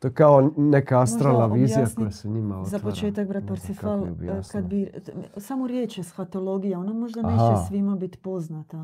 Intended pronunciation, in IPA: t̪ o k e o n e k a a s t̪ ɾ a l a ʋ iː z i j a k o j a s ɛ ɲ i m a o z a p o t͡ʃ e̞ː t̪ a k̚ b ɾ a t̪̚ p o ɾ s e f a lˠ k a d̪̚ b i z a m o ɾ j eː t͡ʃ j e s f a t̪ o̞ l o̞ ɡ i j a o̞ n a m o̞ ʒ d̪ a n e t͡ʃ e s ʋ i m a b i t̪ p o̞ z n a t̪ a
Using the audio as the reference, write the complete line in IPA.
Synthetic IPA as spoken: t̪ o k a o n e k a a s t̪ ɾ a l a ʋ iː z i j a k o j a s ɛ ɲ i m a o z a p o t͡ʃ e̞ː t̪ a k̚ b ɾ a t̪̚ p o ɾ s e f a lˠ k a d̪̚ b i s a m o ɾ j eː t͡ʃ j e s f a t̪ o̞ l o̞ ɡ i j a o̞ n a m o̞ ʒ d̪ a n e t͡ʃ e s ʋ i m a b i t̪ p o̞ z n a t̪ a